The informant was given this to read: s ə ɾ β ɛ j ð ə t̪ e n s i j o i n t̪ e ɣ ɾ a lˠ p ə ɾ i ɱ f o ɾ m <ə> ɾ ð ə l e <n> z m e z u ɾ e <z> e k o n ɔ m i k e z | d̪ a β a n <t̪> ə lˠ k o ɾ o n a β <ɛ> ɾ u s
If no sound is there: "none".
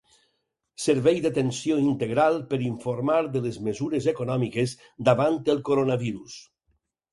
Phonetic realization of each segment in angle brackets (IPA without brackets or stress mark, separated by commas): a, none, z, t̪, i